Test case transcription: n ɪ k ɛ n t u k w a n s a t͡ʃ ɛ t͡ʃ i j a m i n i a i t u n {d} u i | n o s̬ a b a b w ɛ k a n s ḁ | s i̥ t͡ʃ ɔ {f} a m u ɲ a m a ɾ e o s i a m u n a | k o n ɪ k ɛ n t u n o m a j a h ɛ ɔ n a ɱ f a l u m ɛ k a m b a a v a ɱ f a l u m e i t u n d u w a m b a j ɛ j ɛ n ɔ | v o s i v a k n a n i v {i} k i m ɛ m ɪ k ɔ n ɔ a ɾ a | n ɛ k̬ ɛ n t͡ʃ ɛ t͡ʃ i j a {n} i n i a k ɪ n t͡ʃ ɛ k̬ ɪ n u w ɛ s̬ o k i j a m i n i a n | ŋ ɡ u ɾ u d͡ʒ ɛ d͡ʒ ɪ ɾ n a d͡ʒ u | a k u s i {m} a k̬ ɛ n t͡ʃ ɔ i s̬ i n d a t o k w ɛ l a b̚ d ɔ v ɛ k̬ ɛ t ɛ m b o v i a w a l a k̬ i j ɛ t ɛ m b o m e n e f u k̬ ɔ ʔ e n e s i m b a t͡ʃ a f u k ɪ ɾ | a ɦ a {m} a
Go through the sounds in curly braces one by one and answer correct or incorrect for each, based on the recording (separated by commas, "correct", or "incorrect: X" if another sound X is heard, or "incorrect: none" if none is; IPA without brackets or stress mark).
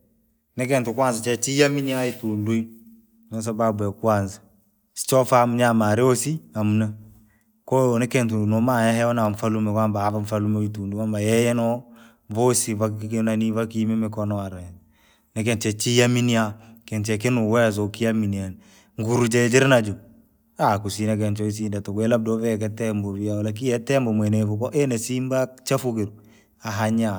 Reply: correct, correct, incorrect: a, incorrect: m, incorrect: n, incorrect: ɲ